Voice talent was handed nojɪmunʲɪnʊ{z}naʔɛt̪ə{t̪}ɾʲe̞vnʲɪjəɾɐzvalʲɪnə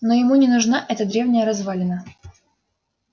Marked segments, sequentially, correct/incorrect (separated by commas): incorrect, incorrect